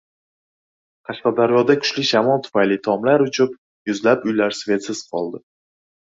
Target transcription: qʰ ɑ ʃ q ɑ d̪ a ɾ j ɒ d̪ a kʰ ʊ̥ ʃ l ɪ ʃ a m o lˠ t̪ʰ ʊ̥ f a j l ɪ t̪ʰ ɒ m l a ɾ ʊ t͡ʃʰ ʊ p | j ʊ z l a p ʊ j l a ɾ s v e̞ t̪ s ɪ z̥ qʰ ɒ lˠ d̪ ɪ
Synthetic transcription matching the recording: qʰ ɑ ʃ q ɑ d̪ a ɾ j ɒ d̪ a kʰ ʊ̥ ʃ l ɪ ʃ a m ɒ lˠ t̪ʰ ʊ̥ f a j l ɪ t̪ʰ ɒ m l a ɾ ʊ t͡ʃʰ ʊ p | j ʊ z l a p ʊ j l a ɾ s v e̞ t̪ s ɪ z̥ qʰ ɒ lˠ d̪ ɪ